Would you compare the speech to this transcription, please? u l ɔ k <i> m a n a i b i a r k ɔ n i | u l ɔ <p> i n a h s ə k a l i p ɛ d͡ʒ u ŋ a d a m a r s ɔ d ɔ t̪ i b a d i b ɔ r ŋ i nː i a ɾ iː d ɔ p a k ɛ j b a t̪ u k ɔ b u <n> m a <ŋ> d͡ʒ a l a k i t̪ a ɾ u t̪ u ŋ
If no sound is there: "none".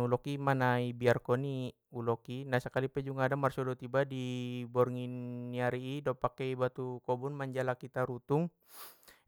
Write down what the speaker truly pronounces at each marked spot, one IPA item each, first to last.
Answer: i, k, n, ɲ

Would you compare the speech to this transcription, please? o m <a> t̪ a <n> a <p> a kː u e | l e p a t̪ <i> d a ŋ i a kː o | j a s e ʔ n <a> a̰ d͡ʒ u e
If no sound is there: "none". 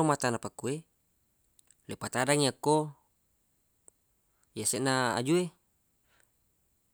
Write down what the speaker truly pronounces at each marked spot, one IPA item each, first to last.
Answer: a, n, p, a, a

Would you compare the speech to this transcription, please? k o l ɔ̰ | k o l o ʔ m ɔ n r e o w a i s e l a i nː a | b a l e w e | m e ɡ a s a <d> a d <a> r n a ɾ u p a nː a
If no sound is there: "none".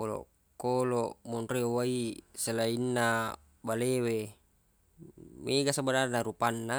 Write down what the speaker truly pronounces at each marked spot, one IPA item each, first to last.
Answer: b, a

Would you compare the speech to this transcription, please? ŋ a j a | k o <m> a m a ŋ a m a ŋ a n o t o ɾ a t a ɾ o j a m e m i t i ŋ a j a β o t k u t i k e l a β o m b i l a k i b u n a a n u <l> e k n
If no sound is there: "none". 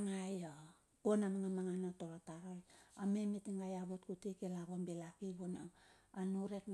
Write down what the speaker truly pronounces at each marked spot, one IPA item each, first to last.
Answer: n, ɾ

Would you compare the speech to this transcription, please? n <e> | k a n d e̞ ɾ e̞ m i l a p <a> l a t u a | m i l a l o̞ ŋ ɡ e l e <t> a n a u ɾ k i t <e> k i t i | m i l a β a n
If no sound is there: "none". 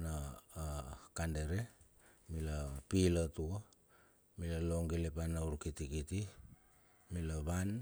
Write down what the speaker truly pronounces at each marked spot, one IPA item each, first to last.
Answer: a, i, p, i

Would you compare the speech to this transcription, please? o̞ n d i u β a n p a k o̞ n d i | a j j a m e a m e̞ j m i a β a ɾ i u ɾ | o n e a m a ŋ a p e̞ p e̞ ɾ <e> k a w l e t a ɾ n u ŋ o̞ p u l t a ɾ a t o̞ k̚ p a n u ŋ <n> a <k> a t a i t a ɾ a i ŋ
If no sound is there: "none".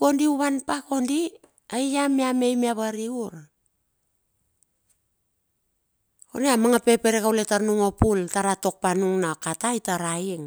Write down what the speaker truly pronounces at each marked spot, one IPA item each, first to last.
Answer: e, n, k

